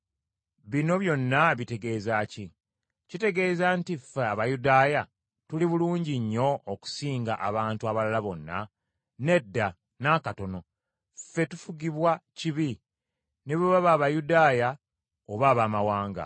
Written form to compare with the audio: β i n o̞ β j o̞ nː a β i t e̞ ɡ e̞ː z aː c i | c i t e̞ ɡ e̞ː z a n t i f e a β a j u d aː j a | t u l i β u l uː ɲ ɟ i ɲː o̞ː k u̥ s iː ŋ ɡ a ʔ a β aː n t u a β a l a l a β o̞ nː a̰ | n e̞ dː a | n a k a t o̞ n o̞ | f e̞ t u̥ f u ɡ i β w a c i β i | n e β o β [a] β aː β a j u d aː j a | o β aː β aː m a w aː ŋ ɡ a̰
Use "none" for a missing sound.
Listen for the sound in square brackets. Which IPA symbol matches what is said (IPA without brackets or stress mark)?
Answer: a